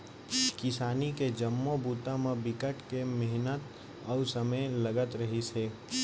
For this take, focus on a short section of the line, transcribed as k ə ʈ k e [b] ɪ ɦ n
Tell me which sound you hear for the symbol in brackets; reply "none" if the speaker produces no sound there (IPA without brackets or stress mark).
m